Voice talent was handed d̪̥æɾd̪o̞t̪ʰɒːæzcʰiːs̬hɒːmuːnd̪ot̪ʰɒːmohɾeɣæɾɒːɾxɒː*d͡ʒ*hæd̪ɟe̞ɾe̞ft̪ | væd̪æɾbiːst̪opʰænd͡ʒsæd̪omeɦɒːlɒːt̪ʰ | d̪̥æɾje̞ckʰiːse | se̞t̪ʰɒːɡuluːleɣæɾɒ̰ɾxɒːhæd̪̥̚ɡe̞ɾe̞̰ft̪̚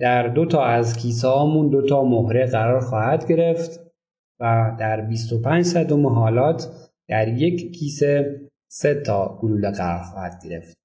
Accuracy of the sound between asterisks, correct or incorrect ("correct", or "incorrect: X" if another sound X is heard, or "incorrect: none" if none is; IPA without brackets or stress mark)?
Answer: incorrect: none